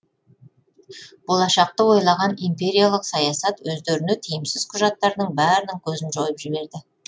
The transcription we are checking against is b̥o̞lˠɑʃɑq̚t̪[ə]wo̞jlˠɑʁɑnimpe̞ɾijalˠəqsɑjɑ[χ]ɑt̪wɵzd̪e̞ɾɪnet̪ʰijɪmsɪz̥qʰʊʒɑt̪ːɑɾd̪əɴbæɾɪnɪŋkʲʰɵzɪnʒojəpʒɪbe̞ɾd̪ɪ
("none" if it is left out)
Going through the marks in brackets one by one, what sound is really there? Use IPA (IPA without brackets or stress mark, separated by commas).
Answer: ə, s